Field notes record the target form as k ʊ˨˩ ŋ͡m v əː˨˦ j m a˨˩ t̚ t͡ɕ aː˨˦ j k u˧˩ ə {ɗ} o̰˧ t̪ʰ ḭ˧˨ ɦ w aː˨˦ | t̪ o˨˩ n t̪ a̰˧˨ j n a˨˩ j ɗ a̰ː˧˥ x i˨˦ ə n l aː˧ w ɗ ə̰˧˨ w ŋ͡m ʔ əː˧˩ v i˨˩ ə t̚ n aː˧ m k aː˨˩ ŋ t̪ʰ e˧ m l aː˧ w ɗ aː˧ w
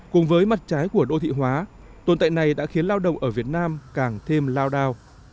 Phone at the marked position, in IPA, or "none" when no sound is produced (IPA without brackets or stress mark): ɗ